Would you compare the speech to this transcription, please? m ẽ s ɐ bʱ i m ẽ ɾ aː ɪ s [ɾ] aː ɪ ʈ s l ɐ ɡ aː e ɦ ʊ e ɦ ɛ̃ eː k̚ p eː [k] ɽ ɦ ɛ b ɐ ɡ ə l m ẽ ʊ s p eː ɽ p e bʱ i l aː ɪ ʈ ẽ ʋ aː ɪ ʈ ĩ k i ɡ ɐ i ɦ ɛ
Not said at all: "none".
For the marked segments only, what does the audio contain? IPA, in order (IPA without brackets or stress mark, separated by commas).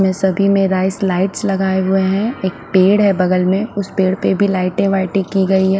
l, none